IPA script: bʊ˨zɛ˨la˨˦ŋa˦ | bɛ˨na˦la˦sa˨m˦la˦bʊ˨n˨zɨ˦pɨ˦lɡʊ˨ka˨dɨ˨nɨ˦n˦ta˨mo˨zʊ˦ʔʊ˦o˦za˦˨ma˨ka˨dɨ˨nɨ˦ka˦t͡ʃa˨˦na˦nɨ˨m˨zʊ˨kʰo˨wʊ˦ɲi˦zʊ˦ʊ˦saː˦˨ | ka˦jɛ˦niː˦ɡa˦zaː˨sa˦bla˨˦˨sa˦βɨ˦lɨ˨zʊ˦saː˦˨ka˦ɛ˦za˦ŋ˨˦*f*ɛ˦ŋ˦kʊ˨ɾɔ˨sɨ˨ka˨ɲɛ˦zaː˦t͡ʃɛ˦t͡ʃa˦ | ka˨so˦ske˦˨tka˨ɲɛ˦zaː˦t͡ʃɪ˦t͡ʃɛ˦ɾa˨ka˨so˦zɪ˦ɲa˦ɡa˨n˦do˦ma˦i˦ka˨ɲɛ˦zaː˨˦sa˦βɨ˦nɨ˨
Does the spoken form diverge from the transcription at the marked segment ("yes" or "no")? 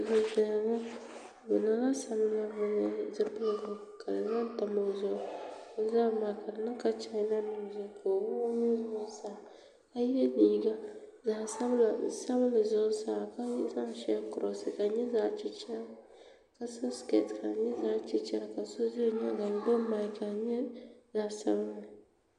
yes